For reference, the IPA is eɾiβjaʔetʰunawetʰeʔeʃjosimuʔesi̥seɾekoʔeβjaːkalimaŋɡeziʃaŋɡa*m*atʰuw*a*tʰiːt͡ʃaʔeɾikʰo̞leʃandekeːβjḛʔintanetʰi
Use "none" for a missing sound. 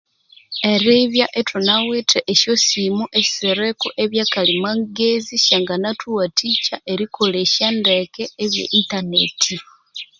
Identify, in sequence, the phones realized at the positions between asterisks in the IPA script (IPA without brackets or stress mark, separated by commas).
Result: n, a